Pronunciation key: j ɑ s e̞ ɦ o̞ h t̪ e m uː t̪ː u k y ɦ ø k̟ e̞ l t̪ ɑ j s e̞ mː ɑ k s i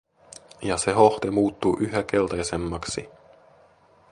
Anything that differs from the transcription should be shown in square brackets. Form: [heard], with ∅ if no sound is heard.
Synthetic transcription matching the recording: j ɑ s e̞ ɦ o̞ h t̪ e m uː t̪ː u [ʔ] y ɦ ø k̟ e̞ l t̪ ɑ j s e̞ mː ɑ k s i